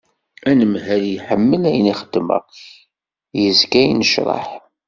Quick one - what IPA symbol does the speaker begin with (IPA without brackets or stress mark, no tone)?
æ